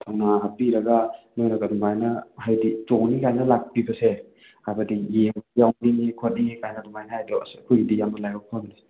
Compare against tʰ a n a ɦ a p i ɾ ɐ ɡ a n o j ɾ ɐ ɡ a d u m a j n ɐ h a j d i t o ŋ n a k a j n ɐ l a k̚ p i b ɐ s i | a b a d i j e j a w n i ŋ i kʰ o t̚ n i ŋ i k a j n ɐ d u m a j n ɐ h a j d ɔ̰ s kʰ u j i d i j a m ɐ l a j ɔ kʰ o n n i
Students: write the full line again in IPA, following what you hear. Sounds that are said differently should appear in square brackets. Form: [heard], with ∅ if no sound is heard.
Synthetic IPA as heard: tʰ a n a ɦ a p i ɾ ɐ ɡ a n o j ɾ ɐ ɡ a d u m a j n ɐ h a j d i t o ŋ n [i] k a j n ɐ l a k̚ p i b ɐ s [e] | a b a d i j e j a w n i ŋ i kʰ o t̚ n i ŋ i k a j n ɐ d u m a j n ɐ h a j d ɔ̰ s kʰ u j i d i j a m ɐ l a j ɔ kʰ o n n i